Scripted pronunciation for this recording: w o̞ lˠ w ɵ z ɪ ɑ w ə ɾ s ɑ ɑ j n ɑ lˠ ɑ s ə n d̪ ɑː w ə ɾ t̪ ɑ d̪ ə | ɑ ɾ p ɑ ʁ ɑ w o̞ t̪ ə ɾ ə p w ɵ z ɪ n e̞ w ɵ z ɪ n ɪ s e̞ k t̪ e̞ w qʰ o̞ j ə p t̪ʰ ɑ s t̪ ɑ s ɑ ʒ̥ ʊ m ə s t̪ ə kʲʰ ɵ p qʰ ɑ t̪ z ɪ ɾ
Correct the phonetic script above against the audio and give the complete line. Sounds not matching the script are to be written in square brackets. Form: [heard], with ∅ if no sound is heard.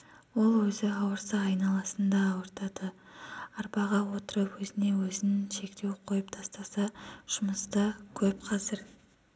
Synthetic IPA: w o̞ lˠ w ɵ z ɪ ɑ w ə ɾ s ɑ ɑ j n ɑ lˠ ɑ s ə n d̪ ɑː w ə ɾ t̪ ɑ d̪ ə | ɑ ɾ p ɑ ʁ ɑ w o̞ t̪ ə ɾ ə p w ɵ z ɪ n e̞ w ɵ z ɪ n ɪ [ʃ] e̞ k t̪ e̞ w qʰ o̞ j ə p t̪ʰ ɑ s t̪ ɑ s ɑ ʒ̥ ʊ m ə s t̪ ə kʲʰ ɵ p qʰ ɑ [∅] z ɪ ɾ